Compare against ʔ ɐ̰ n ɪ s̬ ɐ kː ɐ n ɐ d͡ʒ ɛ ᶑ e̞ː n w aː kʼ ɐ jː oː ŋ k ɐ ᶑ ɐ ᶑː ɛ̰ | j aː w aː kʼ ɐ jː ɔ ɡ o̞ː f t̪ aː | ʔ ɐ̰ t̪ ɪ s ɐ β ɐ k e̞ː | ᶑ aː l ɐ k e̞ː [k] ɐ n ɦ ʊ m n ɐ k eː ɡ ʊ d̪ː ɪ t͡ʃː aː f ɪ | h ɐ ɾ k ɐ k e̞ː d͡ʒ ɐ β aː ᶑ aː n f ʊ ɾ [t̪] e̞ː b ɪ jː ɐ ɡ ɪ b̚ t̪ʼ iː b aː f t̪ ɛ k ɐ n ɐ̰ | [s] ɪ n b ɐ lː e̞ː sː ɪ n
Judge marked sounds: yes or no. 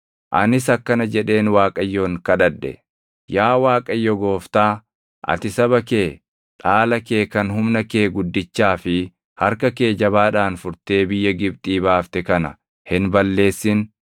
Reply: yes, yes, no

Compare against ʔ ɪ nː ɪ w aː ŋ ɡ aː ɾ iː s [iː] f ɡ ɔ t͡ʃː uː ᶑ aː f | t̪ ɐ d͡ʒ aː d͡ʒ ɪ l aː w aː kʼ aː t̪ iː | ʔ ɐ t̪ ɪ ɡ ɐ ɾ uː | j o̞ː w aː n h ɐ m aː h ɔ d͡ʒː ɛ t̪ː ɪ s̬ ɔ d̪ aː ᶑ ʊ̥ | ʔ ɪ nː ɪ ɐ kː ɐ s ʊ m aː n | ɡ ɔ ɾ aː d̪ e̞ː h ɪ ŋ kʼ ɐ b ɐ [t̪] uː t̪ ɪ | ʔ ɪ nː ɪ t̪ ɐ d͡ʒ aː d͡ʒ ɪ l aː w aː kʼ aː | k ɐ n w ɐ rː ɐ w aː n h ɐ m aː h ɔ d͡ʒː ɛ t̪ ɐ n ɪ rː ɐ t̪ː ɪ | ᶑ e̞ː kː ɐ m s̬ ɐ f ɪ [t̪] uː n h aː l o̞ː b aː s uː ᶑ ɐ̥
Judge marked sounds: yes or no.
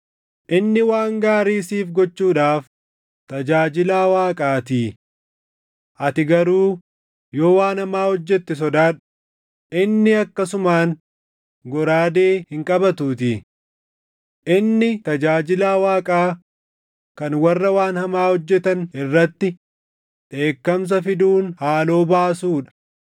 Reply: yes, yes, no

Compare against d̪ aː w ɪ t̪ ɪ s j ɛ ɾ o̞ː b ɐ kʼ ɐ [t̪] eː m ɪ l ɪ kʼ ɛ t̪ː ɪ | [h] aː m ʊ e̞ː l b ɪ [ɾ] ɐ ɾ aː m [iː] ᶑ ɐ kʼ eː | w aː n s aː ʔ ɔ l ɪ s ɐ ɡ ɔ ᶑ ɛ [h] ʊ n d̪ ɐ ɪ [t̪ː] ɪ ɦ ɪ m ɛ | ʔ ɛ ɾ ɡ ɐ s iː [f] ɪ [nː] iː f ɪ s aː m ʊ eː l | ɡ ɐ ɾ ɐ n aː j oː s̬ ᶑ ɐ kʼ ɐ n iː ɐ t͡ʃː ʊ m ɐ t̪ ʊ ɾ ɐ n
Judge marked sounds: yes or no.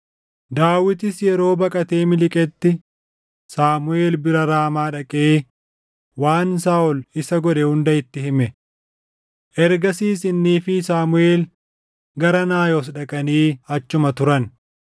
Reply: yes, no, yes, no, yes, yes, no, yes

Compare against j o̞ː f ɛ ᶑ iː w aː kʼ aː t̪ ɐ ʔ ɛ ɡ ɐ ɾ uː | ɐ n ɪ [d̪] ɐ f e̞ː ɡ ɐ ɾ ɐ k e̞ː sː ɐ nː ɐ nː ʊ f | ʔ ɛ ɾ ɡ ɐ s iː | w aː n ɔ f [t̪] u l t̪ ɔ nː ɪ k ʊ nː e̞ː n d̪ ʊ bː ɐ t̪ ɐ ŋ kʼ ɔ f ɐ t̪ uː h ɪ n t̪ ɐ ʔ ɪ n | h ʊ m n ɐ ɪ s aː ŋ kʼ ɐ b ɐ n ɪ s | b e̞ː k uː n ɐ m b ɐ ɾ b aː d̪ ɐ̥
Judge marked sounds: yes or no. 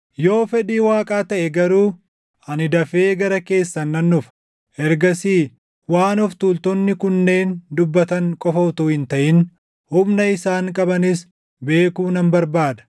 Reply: yes, yes

